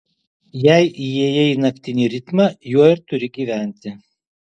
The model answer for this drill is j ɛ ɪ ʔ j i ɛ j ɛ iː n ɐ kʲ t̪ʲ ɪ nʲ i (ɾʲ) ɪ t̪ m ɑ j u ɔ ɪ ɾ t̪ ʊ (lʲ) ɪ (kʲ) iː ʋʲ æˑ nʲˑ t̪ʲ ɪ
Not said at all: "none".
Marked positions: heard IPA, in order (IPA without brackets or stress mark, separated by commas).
ɾʲ, ɾʲ, ɡʲ